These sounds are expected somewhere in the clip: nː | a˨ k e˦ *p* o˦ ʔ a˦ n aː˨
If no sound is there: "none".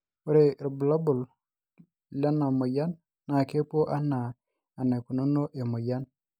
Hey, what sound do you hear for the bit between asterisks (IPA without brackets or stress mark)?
p